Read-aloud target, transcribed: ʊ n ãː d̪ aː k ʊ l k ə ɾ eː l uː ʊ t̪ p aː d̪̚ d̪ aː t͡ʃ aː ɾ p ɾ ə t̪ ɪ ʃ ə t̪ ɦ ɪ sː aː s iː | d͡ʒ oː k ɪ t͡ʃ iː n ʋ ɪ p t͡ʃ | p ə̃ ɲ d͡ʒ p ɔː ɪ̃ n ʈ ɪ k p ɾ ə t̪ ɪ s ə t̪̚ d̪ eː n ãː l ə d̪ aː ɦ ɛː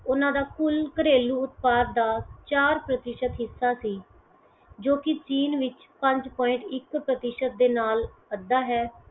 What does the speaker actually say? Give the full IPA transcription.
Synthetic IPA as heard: ʊ n ãː d̪ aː k ʊ l k ə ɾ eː l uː ʊ t̪ p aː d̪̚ d̪ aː t͡ʃ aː ɾ p ɾ ə t̪ ɪ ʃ ə t̪ ɦ ɪ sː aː s iː | d͡ʒ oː k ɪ t͡ʃ iː n ʋ ɪ t͡ʃ | p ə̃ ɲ d͡ʒ p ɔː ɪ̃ ɳ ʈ ɪ k p ɾ ə t̪ ɪ ʃ ə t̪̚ d̪ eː n aː l ə d̪ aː ɦ ɛː